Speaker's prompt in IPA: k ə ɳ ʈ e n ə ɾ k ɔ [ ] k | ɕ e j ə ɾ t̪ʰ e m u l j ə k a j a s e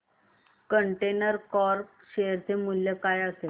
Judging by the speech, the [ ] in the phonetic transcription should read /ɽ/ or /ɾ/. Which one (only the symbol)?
ɾ